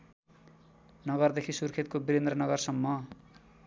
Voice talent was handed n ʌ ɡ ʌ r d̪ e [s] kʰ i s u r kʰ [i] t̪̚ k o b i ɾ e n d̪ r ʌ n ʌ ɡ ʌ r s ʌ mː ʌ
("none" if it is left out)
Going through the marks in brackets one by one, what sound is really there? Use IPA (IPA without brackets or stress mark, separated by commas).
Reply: none, e